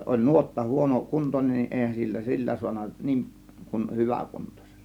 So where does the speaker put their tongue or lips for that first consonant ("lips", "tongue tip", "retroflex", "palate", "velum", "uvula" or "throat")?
tongue tip